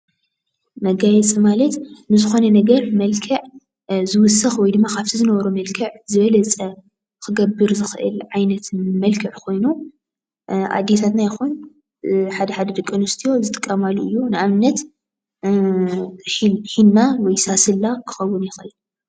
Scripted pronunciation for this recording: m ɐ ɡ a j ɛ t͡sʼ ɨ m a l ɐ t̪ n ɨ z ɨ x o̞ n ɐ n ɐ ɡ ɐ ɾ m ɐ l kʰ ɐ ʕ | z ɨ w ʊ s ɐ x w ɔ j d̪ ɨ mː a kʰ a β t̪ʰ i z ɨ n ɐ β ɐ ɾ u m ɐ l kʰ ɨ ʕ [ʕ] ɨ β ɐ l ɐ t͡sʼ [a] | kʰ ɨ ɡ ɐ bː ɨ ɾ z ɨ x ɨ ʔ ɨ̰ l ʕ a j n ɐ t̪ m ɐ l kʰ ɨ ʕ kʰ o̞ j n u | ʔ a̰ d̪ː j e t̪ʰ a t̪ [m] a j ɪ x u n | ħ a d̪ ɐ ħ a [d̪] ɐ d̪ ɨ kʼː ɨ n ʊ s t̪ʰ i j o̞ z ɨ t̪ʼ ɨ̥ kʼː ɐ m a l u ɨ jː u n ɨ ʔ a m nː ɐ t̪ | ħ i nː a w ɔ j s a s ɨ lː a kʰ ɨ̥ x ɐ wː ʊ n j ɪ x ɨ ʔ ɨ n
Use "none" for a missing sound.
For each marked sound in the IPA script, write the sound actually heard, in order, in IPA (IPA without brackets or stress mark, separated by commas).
z, ɐ, n, d̪